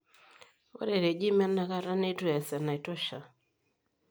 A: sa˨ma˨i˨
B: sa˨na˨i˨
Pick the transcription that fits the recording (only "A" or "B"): B